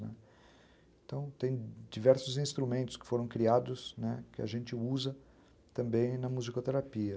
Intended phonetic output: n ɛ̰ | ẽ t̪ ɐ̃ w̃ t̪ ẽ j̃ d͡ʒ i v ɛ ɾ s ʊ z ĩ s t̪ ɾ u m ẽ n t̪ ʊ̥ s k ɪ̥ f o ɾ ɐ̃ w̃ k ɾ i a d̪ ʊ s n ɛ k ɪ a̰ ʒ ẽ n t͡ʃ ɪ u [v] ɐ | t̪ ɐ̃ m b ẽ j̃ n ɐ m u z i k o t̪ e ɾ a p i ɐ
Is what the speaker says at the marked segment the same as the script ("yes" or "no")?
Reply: no